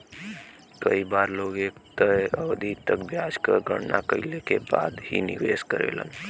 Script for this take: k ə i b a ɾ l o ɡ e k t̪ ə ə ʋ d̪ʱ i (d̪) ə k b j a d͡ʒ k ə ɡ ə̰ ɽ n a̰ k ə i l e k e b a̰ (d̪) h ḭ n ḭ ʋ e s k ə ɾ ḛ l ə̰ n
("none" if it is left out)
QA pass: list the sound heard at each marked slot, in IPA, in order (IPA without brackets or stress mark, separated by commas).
t̪, d̪